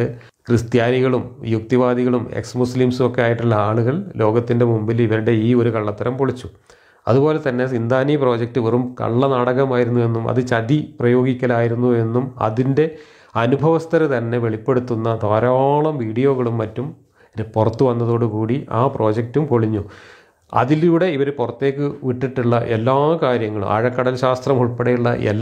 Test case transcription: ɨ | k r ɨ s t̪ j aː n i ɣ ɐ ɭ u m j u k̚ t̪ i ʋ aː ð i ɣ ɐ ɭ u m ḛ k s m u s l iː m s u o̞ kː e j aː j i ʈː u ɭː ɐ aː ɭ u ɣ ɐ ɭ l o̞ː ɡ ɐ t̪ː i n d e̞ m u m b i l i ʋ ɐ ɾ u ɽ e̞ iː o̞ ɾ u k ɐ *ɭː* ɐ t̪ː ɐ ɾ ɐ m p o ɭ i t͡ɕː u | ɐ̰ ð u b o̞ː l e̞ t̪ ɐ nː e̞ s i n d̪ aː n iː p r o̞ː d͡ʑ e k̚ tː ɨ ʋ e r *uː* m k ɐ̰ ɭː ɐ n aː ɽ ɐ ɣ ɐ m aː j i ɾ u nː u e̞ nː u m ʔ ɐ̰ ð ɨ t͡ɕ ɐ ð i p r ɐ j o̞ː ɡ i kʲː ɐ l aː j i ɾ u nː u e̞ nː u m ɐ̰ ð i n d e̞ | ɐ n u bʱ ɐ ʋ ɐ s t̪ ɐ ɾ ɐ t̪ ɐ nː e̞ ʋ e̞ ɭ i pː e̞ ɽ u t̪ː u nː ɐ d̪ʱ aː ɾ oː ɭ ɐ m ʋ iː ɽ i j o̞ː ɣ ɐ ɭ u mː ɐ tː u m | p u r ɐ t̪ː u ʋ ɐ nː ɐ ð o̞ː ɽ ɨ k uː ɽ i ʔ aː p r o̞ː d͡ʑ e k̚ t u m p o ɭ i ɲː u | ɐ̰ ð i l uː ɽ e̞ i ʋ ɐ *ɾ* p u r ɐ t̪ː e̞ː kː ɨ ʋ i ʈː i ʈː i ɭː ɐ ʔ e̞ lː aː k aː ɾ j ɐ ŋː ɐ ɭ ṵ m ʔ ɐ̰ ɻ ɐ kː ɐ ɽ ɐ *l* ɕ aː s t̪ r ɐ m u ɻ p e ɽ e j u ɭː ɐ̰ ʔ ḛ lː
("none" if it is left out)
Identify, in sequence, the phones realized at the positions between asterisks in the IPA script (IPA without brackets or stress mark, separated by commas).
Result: ɭː, u, ɾ, l